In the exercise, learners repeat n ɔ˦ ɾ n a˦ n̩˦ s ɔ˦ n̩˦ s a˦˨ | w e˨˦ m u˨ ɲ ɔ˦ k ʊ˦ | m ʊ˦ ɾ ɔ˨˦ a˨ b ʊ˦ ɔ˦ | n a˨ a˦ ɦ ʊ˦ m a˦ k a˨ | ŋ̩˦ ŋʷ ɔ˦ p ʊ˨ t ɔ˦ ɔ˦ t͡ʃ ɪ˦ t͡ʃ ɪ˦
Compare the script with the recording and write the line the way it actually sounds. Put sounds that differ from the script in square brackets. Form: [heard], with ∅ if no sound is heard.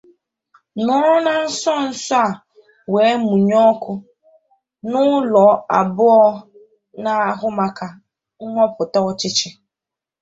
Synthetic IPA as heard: n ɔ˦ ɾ n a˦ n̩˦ s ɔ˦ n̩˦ s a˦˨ | w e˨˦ m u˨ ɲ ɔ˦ k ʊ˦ | [n] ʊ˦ [l] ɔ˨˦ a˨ b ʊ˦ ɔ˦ | n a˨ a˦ ɦ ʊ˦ m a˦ k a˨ | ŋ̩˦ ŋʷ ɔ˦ p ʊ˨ t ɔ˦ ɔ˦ t͡ʃ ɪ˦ t͡ʃ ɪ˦